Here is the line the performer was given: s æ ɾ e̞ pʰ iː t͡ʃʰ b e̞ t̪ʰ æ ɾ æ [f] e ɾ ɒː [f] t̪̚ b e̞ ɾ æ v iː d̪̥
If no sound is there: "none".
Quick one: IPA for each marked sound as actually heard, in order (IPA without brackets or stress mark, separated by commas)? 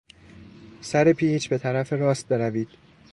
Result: f, s